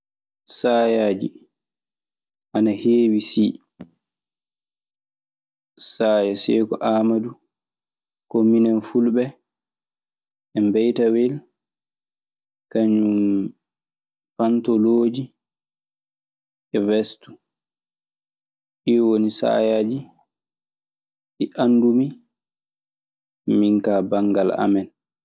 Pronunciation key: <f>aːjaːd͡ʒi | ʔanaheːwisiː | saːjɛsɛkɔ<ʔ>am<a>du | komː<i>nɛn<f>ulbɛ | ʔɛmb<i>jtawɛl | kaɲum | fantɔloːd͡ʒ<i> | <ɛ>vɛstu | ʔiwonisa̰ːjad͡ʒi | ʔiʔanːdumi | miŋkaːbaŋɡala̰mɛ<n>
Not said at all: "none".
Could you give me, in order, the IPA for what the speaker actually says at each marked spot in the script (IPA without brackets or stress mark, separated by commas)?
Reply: s, ʔ, a, i, f, ɛ, i, ɛ, n